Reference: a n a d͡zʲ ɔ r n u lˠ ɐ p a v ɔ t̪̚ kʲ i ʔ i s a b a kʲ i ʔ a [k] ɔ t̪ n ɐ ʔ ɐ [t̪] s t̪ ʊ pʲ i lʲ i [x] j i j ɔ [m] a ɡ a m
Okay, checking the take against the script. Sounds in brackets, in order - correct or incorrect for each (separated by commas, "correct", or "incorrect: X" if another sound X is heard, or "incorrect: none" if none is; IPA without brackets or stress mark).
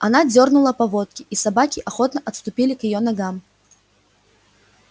incorrect: x, correct, incorrect: k, incorrect: n